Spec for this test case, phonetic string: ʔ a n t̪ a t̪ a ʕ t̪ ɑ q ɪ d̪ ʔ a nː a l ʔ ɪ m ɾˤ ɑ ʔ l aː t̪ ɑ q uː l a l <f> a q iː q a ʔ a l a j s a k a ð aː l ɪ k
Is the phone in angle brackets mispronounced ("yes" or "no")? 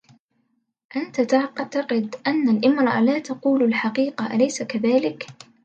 yes